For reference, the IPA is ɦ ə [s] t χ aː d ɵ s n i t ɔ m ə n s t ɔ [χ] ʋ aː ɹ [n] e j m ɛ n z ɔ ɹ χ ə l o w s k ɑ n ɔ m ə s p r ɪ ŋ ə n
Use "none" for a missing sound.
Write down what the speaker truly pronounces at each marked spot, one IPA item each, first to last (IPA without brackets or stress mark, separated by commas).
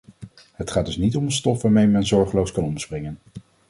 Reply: none, f, m